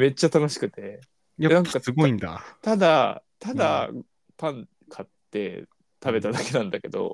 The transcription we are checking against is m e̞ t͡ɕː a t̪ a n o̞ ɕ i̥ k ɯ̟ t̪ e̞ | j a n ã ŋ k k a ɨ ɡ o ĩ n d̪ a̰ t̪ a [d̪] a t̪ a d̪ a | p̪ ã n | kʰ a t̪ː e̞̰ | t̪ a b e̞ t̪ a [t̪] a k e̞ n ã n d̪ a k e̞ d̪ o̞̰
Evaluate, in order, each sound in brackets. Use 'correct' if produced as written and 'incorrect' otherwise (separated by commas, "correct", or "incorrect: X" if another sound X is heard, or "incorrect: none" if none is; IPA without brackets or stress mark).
correct, incorrect: d̪